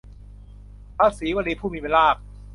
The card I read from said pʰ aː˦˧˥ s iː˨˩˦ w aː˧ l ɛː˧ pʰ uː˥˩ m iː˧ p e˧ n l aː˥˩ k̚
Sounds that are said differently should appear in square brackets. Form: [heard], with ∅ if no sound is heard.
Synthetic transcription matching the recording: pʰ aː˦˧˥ s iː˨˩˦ w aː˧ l [iː˧] pʰ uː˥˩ m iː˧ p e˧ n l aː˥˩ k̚